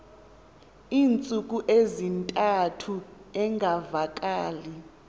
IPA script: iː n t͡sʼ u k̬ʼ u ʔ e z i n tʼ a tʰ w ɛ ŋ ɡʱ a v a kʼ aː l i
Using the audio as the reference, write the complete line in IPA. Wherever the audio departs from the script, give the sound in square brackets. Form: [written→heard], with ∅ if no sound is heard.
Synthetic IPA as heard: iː n t͡sʼ u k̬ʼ u ʔ e z i n tʼ a tʰ [w→u] ɛ ŋ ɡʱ a v a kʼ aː l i